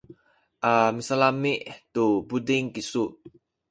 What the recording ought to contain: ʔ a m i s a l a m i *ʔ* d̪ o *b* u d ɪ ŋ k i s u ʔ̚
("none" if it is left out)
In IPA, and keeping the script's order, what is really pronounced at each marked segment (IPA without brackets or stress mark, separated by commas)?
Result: ʔ, b